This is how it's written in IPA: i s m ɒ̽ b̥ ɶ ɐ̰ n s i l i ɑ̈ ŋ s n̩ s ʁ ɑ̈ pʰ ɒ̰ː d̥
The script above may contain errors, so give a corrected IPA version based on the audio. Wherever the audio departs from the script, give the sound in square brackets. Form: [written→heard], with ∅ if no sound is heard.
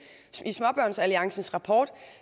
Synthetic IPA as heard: i s m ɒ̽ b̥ ɶ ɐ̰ n s [i→æ] l i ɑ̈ ŋ s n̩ s ʁ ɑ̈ pʰ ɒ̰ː d̥